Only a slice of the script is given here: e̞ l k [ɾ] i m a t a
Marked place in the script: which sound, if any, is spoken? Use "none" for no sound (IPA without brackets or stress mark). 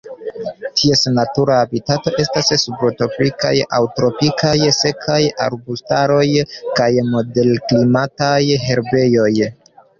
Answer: l